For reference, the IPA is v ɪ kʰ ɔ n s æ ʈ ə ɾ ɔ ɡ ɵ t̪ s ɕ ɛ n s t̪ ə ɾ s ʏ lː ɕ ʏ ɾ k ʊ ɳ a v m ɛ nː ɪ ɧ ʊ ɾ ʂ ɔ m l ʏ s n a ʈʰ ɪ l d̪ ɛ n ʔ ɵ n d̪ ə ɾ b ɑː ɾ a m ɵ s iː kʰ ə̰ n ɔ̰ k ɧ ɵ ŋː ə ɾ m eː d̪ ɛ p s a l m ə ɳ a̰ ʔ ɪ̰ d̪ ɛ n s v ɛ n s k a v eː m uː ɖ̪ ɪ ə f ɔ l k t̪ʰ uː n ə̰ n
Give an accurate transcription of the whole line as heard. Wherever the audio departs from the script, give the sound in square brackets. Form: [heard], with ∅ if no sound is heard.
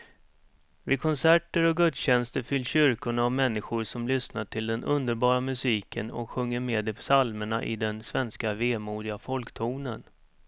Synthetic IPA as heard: v ɪ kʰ ɔ n s æ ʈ ə ɾ ɔ ɡ ɵ t̪ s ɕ ɛ n s t̪ ə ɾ [f] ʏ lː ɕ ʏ ɾ k ʊ ɳ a v m ɛ nː ɪ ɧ ʊ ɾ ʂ ɔ m l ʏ s n a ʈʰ ɪ l d̪ ɛ n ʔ ɵ n d̪ ə ɾ b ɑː ɾ a m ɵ s iː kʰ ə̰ n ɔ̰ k ɧ ɵ ŋː ə ɾ m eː d̪ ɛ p s a l m ə ɳ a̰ ʔ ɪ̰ d̪ ɛ n s v ɛ n s k a v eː m uː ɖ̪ ɪ [a] f ɔ l k t̪ʰ uː n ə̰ n